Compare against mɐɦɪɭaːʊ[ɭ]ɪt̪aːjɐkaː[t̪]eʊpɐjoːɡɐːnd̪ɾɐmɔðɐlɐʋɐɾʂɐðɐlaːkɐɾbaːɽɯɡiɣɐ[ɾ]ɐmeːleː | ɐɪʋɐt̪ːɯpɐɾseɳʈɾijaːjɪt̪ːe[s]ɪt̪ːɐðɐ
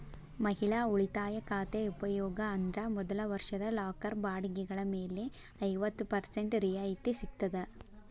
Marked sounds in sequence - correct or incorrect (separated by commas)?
correct, correct, incorrect, correct